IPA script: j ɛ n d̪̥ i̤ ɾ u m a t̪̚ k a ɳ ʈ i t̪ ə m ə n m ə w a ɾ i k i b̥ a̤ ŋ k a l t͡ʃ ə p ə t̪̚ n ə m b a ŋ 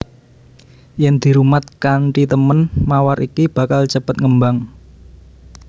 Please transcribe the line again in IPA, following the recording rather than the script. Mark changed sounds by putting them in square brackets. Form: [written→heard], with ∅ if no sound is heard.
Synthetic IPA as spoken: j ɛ n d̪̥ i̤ ɾ u m a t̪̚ k a ɳ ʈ i t̪ ə m ə n m [ə→a] w a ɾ i k i b̥ a̤ [ŋ→∅] k a l t͡ʃ ə p ə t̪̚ [n→ŋ] ə m b a ŋ